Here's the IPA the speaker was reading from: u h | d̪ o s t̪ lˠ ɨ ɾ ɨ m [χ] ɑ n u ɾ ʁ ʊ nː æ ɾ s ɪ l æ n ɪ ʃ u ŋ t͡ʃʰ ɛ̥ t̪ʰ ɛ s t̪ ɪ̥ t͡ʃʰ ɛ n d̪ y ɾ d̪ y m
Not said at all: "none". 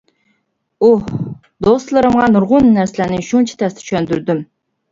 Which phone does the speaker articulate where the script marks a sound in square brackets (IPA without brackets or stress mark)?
ʁ